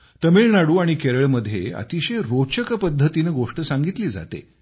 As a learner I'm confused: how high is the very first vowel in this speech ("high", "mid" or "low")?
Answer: mid